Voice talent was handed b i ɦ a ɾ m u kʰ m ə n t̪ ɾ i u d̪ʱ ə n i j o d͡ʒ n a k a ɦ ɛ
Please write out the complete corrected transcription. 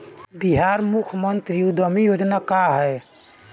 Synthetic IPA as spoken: b i ɦ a ɾ m u kʰ m ə n t̪ ɾ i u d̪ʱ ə m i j o d͡ʒ n a k a ɦ ɛ